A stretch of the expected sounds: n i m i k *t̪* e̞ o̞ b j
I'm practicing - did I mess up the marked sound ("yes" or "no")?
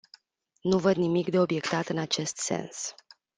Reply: yes